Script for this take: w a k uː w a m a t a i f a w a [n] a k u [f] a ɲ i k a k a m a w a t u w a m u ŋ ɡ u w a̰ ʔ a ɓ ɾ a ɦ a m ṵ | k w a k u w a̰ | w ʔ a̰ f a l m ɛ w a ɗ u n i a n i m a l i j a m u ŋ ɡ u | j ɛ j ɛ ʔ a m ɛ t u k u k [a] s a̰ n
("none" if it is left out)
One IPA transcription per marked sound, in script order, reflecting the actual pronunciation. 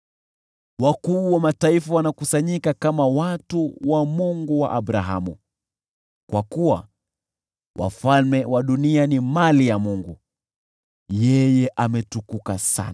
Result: n, s, a

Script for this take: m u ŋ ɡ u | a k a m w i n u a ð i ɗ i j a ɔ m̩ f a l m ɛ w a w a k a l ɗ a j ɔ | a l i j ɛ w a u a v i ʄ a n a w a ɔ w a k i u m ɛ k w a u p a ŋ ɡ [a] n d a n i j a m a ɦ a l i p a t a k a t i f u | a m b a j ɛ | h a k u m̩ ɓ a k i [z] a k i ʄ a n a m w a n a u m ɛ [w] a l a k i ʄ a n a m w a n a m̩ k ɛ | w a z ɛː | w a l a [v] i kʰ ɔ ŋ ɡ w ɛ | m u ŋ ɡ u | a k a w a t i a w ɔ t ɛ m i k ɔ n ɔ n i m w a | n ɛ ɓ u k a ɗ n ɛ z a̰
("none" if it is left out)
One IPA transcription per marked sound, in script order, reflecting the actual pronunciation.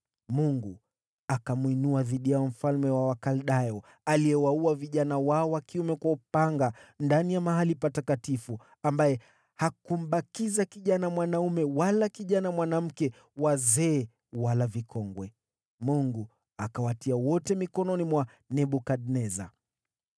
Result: a, z, w, v

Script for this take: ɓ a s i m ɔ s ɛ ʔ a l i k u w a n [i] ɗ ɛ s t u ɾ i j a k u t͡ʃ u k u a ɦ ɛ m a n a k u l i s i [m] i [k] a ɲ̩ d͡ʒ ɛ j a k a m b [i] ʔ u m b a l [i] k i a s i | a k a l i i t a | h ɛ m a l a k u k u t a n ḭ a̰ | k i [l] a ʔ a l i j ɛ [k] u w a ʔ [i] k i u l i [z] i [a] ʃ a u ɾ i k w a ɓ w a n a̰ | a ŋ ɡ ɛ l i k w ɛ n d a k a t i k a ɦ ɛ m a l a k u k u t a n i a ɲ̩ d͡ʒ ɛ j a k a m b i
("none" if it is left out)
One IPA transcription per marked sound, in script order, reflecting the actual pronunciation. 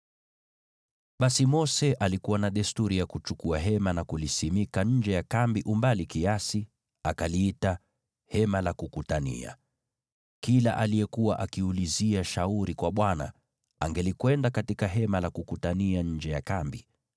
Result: a, m, k, i, i, l, k, a, z, a

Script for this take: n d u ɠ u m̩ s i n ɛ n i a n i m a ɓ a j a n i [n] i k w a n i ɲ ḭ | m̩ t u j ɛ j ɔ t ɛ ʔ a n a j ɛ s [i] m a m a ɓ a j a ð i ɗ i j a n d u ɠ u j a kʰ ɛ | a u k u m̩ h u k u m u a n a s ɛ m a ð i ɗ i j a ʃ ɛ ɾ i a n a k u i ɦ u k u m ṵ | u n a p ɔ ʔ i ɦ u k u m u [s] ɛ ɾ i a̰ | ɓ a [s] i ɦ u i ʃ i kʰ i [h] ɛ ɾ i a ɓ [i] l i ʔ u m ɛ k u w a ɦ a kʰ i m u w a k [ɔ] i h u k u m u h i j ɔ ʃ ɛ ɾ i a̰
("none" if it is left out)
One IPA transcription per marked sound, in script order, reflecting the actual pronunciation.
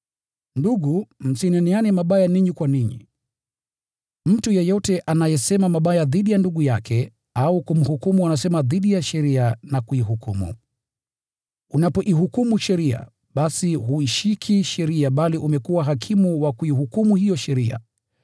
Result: ɲ, ɛ, ʃ, s, ʃ, a, u

